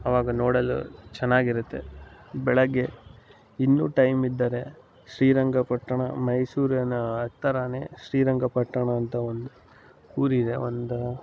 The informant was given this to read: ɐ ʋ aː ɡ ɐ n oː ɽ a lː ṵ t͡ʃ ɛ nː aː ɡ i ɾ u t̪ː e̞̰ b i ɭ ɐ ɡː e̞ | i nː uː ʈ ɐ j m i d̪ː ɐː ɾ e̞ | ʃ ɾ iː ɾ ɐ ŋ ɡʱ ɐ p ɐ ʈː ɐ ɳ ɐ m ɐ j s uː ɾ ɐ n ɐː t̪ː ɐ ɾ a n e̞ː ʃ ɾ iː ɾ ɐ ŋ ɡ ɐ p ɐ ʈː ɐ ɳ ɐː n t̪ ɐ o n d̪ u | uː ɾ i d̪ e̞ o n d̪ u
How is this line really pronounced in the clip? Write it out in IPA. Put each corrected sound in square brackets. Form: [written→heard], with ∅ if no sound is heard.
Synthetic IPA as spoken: ɐ ʋ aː ɡ ɐ n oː ɽ [a→ɐ] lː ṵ t͡ʃ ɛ nː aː ɡ i ɾ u t̪ː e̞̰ b [i→ɛ] ɭ ɐ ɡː e̞ | i nː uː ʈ ɐ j m i d̪ː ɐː ɾ e̞ | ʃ ɾ iː ɾ ɐ ŋ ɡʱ ɐ p ɐ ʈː ɐ ɳ ɐ m ɐ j s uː ɾ ɐ n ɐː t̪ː ɐ ɾ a n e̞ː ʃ ɾ iː ɾ ɐ ŋ ɡ ɐ p ɐ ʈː ɐ ɳ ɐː n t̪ ɐ o n d̪ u | uː ɾ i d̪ e̞ o n d̪ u